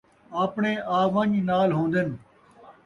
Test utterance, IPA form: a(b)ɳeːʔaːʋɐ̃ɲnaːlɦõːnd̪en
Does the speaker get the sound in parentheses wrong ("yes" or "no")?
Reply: yes